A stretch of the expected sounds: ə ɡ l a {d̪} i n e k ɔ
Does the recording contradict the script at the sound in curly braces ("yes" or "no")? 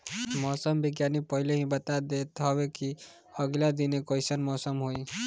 no